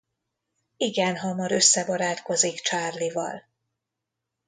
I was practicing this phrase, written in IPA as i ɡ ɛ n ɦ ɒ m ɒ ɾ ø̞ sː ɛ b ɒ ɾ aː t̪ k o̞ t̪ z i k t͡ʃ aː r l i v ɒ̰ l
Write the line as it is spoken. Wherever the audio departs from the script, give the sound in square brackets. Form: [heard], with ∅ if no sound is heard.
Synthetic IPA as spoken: i ɡ ɛ n ɦ ɒ m ɒ ɾ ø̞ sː ɛ b ɒ ɾ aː t̪ k o̞ [∅] z i k t͡ʃ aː r l i v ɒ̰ l